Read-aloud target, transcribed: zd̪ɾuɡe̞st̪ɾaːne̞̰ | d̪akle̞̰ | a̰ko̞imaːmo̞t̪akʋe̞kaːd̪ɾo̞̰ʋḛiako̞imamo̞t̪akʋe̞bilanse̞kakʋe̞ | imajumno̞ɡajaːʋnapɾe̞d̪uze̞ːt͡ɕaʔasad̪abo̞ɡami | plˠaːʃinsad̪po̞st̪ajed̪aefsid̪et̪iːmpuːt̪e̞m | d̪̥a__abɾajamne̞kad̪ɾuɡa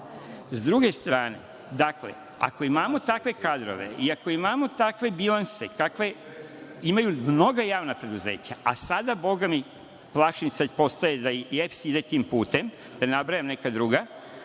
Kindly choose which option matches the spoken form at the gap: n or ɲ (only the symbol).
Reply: n